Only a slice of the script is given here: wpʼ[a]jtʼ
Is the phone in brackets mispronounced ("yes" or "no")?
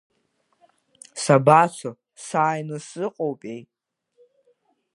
yes